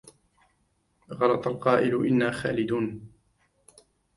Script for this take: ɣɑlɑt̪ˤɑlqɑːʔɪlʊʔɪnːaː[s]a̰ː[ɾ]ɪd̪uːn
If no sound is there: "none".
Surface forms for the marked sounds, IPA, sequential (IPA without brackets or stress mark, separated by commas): x, l